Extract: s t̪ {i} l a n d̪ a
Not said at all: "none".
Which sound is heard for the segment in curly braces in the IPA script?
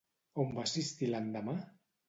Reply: i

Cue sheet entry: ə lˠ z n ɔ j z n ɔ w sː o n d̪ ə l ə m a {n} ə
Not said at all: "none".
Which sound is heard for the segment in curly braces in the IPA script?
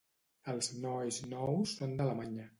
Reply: ɲ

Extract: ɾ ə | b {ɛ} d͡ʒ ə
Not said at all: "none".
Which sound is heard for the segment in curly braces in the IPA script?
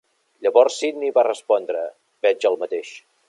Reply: ɛ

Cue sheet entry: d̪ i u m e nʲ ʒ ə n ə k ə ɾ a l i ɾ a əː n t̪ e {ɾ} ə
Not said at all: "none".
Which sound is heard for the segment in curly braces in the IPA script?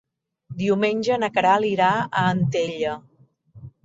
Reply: ʎ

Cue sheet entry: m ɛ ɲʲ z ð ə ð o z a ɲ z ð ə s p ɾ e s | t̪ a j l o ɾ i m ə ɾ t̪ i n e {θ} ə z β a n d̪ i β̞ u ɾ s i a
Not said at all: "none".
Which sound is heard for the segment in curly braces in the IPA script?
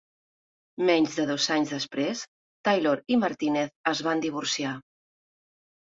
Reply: θ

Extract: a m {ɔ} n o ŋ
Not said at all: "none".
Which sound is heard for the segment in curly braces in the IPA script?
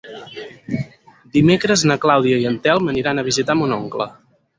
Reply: u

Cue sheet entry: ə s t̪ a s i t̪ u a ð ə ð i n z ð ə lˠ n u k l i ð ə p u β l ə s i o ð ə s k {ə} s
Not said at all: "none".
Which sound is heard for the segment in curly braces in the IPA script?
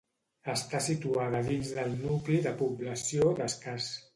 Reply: a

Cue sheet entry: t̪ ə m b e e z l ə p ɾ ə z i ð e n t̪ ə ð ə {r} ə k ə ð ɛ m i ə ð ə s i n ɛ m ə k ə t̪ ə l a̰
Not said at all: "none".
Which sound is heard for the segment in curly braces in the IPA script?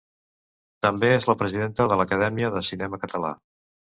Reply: l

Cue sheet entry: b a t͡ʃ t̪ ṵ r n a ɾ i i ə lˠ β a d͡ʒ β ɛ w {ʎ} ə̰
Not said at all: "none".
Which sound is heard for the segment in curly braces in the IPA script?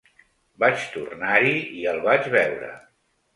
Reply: ɾ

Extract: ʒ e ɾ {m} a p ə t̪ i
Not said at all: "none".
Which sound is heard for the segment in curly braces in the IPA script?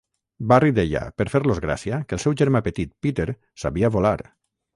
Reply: m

